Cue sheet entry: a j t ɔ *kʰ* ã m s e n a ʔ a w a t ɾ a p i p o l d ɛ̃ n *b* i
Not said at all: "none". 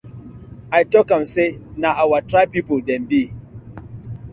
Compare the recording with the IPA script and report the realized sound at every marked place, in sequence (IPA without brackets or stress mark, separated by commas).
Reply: k, b